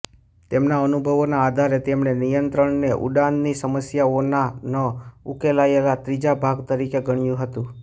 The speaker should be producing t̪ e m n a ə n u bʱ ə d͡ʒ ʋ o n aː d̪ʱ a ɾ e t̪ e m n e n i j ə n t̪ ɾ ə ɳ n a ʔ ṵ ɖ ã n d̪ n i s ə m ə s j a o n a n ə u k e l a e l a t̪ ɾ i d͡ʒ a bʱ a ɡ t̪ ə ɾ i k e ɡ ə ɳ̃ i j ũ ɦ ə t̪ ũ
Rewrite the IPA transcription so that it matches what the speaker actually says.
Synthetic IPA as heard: t̪ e m n a ə n u bʱ ə ʋ o n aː d̪ʱ a ɾ e t̪ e m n e n i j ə n t̪ ɾ ə ɳ n e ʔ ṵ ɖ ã n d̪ n i s ə m ə s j a o n a n ə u k e l a e l a t̪ ɾ i d͡ʒ a bʱ a ɡ t̪ ə ɾ i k e ɡ ə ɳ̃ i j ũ ɦ ə t̪ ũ